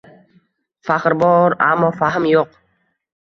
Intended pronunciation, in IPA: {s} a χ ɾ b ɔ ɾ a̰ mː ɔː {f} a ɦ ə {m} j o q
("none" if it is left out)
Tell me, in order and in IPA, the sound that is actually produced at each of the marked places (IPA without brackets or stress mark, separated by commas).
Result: f, f, m